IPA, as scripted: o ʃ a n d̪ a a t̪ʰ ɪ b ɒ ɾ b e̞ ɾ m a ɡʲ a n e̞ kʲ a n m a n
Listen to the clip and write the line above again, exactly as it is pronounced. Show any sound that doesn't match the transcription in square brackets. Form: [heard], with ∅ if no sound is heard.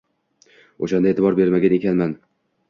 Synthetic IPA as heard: o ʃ a n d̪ a [e] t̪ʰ ɪ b ɒ ɾ b e̞ ɾ m a ɡʲ a n e̞ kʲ a n m a n